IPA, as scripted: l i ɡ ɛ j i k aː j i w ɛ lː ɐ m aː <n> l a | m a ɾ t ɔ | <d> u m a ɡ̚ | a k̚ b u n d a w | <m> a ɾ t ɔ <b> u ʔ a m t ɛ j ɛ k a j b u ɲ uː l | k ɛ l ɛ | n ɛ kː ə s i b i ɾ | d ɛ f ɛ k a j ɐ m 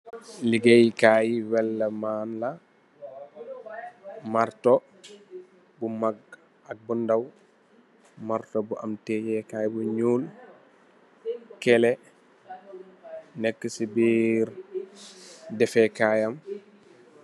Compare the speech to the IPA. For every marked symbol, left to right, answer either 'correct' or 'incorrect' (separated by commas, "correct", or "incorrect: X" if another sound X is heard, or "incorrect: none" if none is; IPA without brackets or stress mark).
correct, incorrect: b, correct, correct